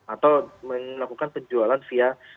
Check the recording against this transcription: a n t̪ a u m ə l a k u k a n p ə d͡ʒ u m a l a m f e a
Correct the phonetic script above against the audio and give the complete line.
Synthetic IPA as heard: a t̪ a w m ə l a k u k a n p ə d͡ʒ u a l a n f i a